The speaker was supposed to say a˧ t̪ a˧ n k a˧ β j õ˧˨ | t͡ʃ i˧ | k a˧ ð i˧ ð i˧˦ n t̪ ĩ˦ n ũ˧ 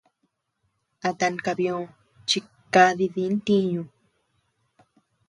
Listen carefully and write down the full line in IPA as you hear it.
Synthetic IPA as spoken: a˧ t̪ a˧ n k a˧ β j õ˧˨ | t͡ʃ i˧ | k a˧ ð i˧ ð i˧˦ n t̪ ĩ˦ ɲ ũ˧